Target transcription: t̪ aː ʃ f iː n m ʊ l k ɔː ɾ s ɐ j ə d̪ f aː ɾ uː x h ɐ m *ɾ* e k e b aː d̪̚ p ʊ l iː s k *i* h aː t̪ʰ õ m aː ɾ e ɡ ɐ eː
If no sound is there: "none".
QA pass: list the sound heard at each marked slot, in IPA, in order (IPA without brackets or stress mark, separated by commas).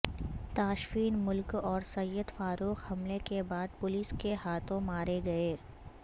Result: l, e